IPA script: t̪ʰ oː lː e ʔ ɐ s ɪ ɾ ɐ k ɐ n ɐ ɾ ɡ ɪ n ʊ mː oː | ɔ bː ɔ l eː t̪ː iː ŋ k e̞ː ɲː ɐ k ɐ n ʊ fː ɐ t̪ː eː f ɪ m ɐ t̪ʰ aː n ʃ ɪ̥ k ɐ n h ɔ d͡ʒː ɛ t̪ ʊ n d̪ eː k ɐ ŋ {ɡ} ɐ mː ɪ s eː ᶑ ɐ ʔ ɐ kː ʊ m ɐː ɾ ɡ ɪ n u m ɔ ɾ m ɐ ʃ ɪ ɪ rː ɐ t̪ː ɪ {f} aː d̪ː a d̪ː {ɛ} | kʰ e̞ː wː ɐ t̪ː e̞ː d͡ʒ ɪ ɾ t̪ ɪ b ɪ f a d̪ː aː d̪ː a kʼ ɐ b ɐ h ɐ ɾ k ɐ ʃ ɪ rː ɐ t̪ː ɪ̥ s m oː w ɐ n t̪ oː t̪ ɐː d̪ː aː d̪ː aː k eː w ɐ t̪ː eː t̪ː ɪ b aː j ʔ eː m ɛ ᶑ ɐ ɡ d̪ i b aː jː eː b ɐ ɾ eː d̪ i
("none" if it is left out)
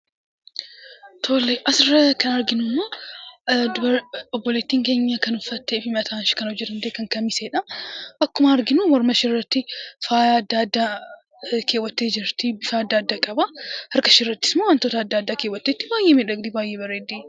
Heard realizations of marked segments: k, f, a

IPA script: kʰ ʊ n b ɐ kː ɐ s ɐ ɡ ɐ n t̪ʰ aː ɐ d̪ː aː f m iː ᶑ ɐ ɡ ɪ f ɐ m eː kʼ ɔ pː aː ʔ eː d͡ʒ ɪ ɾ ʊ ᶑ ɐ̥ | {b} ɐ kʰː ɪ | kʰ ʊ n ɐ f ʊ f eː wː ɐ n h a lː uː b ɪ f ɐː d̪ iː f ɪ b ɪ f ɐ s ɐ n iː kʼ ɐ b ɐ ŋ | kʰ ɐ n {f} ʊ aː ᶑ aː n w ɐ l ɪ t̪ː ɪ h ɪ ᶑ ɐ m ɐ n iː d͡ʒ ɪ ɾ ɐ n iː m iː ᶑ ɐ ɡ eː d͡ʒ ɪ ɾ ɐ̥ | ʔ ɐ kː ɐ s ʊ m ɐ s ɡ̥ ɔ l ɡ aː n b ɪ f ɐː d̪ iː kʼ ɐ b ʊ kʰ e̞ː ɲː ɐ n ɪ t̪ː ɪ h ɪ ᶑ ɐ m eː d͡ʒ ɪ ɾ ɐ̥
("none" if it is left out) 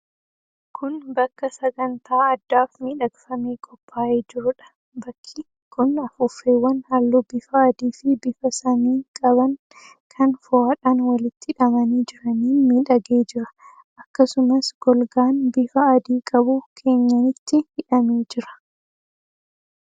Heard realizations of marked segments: b, f

